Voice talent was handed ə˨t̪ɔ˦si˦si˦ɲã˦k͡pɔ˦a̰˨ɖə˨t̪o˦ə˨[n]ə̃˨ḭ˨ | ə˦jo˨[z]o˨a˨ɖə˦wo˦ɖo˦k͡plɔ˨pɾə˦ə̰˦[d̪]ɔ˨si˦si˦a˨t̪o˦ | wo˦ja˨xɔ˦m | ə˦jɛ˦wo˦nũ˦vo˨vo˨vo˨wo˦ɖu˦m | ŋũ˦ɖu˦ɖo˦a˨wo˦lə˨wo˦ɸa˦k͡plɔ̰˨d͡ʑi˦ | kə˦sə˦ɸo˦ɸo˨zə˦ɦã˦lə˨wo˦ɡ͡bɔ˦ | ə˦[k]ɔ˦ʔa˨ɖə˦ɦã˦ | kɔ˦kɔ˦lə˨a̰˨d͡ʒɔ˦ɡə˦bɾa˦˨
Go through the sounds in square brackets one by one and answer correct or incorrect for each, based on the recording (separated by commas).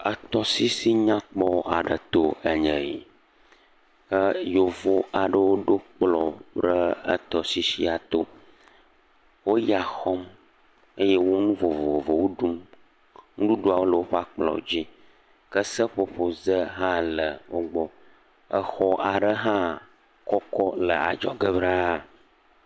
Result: incorrect, incorrect, incorrect, incorrect